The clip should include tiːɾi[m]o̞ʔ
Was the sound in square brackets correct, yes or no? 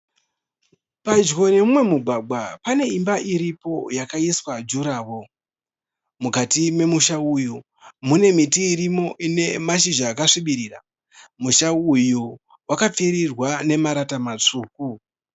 yes